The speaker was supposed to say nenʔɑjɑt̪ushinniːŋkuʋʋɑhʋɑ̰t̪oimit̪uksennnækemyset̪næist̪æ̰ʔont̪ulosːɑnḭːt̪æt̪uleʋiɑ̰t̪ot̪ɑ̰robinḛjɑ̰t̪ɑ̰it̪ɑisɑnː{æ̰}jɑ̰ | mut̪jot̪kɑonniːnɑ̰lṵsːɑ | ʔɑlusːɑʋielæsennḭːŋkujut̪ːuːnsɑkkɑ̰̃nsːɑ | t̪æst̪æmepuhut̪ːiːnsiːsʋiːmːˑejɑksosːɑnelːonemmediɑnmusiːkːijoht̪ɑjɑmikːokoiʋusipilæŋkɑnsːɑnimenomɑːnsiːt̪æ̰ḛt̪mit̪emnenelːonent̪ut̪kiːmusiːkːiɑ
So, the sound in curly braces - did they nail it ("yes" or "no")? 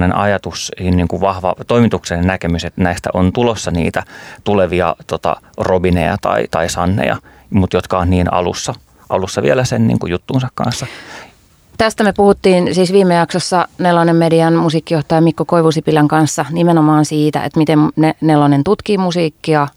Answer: no